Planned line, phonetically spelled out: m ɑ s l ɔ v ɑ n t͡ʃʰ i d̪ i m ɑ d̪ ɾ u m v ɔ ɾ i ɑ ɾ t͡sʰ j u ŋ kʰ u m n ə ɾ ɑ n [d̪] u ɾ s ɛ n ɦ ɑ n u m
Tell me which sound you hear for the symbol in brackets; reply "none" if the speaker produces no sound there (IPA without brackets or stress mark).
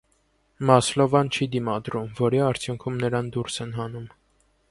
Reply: d̪